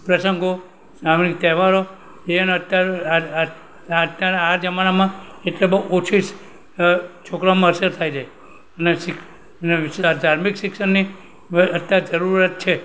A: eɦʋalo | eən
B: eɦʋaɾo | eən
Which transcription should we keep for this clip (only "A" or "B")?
B